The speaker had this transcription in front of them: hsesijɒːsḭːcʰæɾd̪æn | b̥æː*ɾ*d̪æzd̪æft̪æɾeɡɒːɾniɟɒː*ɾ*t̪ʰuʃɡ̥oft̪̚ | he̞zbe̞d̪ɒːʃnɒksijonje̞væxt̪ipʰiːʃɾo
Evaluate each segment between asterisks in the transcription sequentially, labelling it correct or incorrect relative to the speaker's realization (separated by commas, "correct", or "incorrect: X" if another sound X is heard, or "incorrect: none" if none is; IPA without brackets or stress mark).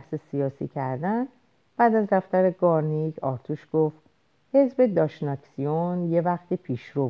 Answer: incorrect: none, correct